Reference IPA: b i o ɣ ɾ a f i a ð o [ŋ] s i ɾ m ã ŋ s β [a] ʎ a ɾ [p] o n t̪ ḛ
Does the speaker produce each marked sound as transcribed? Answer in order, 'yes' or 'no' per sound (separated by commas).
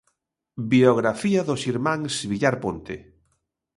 no, no, yes